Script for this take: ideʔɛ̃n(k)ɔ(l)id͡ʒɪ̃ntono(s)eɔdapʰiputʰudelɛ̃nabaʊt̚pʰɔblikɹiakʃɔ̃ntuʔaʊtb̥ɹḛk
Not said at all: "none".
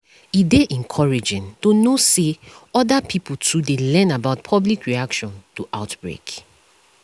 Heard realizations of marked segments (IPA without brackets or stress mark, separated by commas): kʰ, ɹ, s